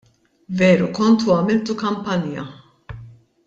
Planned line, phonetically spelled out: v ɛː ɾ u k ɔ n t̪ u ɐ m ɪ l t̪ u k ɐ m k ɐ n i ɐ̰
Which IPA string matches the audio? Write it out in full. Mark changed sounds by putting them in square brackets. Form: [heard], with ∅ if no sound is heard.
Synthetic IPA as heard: v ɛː ɾ u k ɔ n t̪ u ɐ m ɪ l t̪ u k ɐ m [p] ɐ n [j] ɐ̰